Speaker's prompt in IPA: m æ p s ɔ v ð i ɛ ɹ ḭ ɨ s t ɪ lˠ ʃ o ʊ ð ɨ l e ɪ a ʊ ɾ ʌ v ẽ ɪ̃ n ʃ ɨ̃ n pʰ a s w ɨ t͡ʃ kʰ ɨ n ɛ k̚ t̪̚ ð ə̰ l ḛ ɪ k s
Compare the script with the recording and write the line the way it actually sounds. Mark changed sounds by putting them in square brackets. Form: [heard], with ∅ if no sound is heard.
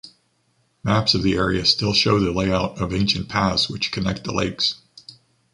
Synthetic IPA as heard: m æ p s [ʌ] v ð i ɛ ɹ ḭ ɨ s t ɪ lˠ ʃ o ʊ ð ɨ l e ɪ a ʊ ɾ ʌ v ẽ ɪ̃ n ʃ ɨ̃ n pʰ [æ] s w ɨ t͡ʃ kʰ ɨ n ɛ k̚ t̪̚ ð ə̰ l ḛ ɪ k s